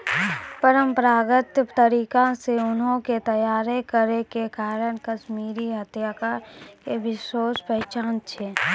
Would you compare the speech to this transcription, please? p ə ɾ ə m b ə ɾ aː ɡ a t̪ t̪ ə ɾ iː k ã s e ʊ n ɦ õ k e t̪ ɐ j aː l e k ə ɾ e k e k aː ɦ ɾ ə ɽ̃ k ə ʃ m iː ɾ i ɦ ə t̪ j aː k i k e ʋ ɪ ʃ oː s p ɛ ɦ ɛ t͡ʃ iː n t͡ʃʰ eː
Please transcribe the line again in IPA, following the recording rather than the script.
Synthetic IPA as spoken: p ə ɾ ə m p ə ɾ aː ɡ ə t̪ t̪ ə ɾ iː k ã s e ʊ n ɦ õ k e t̪ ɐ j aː ɾ e k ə ɾ e k e k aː ɾ ə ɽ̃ k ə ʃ m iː ɾ i ɦ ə t̪ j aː k a k e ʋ ɪ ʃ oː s p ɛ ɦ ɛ t͡ʃ aː n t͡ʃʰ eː